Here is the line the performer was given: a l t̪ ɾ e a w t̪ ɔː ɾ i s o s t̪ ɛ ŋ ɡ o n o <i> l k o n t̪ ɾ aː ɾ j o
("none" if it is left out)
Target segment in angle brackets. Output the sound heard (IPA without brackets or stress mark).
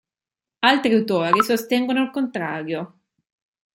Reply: a